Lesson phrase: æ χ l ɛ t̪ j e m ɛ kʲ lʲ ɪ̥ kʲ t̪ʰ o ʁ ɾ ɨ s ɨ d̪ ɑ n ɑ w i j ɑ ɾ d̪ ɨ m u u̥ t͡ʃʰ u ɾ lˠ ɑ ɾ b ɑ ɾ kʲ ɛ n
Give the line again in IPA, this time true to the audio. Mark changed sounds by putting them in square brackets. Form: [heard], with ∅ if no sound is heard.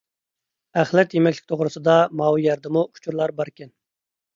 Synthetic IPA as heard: æ χ l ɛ t̪ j e m ɛ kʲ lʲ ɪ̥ kʲ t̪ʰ o ʁ ɾ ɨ s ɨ d̪ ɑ [m] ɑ w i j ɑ ɾ d̪ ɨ m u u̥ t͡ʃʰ u ɾ lˠ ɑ ɾ b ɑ ɾ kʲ ɛ n